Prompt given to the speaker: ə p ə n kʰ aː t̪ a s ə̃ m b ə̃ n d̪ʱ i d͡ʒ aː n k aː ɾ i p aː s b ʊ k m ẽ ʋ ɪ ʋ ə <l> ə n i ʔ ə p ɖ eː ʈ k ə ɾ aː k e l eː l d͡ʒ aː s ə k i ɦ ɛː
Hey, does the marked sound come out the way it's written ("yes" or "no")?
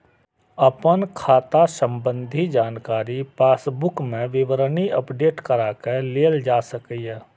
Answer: no